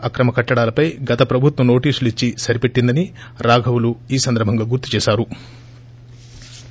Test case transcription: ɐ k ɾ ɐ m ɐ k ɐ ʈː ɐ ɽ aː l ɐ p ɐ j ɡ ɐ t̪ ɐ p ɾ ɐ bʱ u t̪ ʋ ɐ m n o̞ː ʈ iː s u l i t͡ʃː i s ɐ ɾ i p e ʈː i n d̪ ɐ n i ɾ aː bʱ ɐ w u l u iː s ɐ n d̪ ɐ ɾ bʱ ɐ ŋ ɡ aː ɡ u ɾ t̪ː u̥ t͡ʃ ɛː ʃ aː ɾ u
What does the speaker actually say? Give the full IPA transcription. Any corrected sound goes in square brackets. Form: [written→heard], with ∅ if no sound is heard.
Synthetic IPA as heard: ɐ k ɾ ɐ m ɐ k ɐ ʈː ɐ ɽ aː l ɐ p ɐ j ɡ ɐ t̪ ɐ p ɾ ɐ bʱ u t̪ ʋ ɐ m n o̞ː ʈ iː s u l i t͡ʃː i s ɐ ɾ i p e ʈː i n d̪ ɐ n i ɾ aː [bʱ→ɡʱ] ɐ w u l u iː s ɐ n d̪ ɐ ɾ bʱ ɐ ŋ ɡ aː ɡ u ɾ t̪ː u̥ t͡ʃ ɛː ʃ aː ɾ u